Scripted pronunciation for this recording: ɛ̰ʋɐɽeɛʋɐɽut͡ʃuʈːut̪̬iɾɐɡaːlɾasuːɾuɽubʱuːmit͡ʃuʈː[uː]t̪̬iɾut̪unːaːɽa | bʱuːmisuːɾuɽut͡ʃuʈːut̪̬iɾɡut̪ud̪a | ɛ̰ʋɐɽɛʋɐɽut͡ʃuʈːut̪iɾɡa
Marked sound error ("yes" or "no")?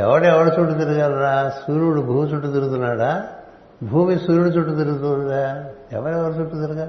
yes